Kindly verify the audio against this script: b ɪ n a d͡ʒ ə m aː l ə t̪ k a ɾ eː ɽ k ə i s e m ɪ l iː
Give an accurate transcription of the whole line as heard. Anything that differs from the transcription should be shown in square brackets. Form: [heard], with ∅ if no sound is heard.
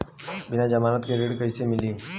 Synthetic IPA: b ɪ n a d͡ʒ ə m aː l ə t̪ k [e] ɾ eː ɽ k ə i s e m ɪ l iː